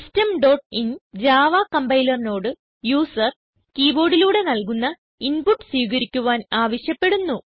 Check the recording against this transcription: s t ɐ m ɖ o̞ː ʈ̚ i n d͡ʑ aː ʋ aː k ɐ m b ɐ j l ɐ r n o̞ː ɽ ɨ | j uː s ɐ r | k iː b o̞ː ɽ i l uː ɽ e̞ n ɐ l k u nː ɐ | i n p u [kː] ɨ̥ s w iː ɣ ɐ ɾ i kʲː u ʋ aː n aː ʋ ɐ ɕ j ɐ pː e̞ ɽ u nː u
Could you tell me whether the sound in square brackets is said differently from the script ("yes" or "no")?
yes